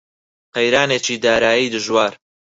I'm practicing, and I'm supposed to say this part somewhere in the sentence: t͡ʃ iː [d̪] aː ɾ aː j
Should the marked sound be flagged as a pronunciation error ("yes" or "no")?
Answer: no